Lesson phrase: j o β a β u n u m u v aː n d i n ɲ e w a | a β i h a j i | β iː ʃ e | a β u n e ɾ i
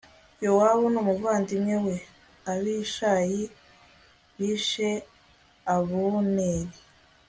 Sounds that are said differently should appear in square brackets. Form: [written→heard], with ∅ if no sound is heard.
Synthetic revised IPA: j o [β→w] a β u n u m u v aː n d i [n→m] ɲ e w [a→e] | a β i [h→ʃ] a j i | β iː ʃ e | a β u n e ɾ i